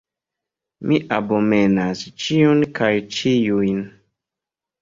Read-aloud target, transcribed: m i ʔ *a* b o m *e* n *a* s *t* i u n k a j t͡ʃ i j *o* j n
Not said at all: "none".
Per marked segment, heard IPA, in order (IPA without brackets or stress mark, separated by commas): a, e, a, t͡ʃ, u